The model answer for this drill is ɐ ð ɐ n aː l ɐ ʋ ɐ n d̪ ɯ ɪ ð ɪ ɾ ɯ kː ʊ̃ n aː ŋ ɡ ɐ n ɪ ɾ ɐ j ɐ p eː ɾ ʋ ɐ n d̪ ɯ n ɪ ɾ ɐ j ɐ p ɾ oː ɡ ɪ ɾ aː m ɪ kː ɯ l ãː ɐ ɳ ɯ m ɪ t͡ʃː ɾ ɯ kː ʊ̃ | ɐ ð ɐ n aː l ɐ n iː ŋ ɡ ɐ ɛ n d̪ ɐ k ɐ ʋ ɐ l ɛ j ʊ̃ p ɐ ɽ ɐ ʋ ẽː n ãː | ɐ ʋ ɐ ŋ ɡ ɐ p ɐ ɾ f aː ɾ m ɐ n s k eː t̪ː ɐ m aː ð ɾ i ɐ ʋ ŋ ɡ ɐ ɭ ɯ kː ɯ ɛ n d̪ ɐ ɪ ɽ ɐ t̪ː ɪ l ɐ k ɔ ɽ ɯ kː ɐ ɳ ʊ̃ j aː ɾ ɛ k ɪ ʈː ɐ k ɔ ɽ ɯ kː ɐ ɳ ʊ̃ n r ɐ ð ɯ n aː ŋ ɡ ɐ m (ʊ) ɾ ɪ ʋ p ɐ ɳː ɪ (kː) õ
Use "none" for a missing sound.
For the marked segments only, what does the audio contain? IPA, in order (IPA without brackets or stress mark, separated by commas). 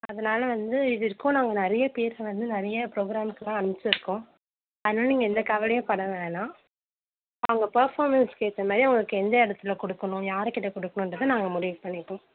ʊ, ʈː